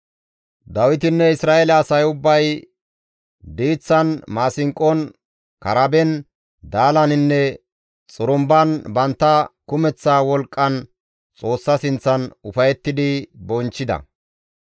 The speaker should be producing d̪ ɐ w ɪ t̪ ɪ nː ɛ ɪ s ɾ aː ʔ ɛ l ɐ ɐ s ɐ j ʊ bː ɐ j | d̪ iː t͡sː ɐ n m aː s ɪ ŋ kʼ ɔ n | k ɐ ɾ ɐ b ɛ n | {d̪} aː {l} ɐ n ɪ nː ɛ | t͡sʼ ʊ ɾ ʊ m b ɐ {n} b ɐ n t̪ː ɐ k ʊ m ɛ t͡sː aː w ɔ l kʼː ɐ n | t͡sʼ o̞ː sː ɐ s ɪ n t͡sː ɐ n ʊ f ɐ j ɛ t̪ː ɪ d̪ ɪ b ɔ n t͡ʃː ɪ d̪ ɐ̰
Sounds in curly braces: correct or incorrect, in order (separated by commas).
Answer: correct, correct, correct